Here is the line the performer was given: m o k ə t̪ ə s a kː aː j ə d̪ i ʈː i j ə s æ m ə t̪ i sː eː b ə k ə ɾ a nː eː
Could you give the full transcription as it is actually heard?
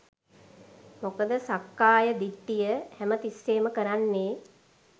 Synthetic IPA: m o k ə d̪ ə s a kː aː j ə d̪ i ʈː i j ə h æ m ə t̪ i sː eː m ə k ə ɾ a nː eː

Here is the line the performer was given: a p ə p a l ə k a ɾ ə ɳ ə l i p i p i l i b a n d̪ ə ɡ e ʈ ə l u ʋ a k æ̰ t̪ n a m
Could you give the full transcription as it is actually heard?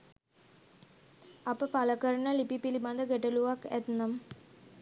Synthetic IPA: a p ə p a l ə k ə ɾ ə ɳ ə l i p i p i l i b a n d̪ ə ɡ e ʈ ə l u ʋ a k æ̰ t̪ n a m

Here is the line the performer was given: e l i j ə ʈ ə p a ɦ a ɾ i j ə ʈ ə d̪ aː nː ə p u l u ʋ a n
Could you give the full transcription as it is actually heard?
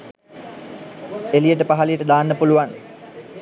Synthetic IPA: e l i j ə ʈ ə p a ɦ a l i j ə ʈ ə d̪ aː nː ə p u l u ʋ a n

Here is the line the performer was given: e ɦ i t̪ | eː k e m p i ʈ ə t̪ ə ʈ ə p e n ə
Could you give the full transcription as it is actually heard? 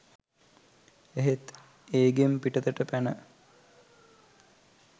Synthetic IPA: e ɦ e t̪ | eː ɡ e m p i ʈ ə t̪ ə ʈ ə p æ n ə

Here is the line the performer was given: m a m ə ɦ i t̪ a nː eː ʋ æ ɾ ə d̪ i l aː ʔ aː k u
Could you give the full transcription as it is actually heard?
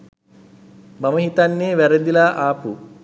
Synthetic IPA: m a m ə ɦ i t̪ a nː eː ʋ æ ɾ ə d̪ i l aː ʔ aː p u

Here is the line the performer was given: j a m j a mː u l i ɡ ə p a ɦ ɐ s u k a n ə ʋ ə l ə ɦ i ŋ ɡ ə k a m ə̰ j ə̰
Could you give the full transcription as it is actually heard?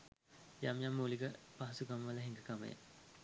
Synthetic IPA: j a m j a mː u l i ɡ ə p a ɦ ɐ s u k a m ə ʋ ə l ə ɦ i ŋ ɡ ə k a m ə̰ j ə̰

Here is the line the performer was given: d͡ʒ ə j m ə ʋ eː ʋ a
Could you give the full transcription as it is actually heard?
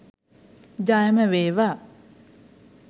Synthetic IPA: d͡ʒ a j m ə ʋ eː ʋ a

